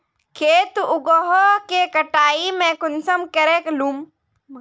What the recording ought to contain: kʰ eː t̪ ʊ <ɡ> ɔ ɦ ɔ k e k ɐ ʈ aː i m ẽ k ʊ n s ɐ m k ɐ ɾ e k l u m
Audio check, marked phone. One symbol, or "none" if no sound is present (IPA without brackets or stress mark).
ɡ